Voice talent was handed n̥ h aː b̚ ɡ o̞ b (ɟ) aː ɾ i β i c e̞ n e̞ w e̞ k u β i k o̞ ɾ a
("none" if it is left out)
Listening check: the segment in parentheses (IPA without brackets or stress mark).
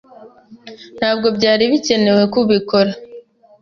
ɟ